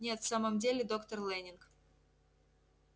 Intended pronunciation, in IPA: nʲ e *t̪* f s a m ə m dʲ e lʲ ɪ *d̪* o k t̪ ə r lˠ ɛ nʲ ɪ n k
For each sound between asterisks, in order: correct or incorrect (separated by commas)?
correct, correct